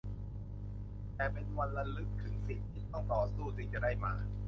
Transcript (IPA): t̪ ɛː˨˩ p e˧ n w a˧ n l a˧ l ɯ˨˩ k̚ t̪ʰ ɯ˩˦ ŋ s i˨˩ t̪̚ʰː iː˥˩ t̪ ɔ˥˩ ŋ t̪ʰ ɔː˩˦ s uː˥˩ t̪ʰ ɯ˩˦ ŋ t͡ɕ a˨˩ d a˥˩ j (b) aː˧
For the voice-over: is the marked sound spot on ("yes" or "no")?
no